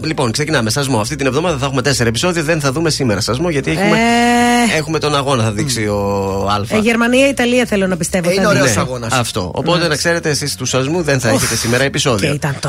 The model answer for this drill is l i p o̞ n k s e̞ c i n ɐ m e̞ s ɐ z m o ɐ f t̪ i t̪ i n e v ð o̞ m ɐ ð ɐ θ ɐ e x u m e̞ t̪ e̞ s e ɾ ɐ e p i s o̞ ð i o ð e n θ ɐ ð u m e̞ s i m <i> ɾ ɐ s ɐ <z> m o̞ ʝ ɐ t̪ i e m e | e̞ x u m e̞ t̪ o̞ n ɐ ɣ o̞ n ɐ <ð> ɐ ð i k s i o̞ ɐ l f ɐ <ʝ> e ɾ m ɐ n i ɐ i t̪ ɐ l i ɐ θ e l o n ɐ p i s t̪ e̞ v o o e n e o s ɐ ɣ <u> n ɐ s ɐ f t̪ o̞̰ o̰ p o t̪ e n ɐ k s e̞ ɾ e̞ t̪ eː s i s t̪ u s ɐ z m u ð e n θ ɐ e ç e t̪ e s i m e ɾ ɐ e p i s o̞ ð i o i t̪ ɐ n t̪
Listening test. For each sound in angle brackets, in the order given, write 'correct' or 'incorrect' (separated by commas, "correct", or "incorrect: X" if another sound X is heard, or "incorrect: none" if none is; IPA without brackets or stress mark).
incorrect: e, correct, incorrect: θ, correct, incorrect: o